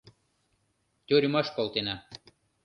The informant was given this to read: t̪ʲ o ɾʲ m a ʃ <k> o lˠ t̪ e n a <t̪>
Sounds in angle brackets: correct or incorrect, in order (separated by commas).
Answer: correct, incorrect